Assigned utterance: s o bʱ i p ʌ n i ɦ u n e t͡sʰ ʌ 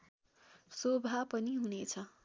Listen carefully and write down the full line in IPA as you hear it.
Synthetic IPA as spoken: s o bʱ a p ʌ n i ɦ u n e t͡sʰ ʌ